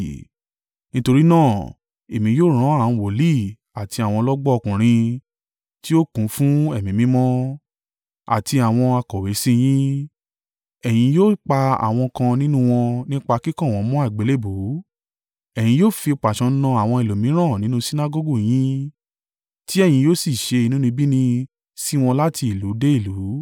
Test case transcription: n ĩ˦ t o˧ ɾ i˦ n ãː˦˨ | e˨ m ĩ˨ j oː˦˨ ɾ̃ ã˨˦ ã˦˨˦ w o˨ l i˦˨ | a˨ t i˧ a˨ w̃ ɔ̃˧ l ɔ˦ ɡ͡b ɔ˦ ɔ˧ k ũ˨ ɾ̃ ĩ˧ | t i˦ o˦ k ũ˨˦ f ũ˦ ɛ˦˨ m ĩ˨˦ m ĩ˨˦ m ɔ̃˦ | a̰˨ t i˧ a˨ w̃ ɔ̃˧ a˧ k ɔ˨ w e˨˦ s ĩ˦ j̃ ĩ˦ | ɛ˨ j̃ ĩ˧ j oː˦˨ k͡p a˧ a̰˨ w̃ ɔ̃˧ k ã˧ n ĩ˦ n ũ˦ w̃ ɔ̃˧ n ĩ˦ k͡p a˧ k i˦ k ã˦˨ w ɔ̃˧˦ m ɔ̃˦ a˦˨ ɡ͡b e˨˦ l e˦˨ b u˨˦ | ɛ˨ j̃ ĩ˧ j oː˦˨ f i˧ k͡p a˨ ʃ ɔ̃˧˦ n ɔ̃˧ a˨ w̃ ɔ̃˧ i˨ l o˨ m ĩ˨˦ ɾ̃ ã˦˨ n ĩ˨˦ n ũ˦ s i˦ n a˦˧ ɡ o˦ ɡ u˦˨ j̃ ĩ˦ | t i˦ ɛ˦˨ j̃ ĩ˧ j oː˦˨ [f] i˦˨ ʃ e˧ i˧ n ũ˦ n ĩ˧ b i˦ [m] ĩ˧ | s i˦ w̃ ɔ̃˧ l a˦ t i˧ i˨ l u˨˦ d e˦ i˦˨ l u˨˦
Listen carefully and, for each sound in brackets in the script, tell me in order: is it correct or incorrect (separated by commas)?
incorrect, incorrect